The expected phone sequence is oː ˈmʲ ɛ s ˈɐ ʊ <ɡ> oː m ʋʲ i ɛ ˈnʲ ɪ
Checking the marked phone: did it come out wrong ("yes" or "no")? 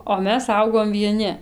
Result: no